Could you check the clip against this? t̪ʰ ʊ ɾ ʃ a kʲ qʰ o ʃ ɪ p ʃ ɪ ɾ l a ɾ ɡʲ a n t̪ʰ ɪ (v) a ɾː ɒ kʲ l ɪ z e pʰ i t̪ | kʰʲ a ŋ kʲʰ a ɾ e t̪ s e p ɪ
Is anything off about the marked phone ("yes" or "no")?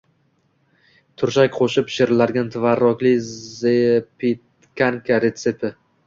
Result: no